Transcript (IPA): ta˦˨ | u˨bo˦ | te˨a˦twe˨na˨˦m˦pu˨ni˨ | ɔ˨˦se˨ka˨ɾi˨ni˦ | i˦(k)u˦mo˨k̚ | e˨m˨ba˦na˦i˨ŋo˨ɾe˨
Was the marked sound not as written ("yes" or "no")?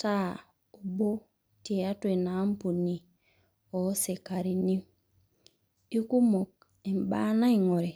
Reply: no